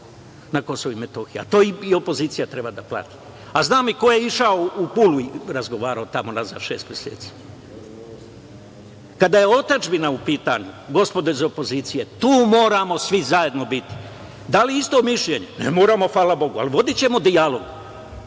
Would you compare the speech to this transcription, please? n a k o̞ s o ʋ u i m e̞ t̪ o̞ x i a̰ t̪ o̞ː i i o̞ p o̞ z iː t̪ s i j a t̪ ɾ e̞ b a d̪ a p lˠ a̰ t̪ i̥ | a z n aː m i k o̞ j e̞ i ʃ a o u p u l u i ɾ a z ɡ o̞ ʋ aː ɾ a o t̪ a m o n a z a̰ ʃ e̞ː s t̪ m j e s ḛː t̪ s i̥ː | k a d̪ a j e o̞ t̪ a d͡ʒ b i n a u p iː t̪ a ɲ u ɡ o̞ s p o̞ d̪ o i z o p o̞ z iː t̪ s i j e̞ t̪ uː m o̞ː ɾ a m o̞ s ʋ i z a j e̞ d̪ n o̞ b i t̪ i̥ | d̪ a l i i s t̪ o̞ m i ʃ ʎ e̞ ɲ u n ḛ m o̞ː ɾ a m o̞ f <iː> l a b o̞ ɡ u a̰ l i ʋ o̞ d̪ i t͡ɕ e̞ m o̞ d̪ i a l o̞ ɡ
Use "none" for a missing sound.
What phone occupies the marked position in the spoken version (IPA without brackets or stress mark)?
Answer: aː